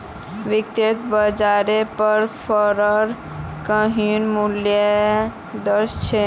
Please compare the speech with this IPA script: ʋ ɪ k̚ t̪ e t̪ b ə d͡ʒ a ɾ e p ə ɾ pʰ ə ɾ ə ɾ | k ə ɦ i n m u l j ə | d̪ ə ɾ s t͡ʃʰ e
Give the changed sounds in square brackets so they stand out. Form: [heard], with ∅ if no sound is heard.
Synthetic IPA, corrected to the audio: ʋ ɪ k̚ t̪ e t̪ b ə d͡ʒ a ɾ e p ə ɾ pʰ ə ɾ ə ɾ | k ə ɦ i n m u l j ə | d̪ ə ɾ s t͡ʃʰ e